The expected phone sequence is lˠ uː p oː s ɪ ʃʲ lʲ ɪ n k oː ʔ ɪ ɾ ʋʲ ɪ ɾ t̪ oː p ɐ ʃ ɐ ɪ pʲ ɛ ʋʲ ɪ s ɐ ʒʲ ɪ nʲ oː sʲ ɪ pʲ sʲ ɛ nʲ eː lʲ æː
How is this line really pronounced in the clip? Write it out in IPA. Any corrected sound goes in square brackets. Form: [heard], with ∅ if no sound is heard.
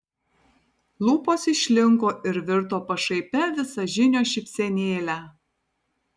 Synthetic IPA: lˠ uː p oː s ɪ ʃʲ lʲ ɪ [ŋ] k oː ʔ ɪ ɾ ʋʲ ɪ ɾ t̪ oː p ɐ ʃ ɐ ɪ pʲ ɛ ʋʲ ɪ s ɐ ʒʲ ɪ nʲ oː [ʃʲ] ɪ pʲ sʲ ɛ nʲ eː lʲ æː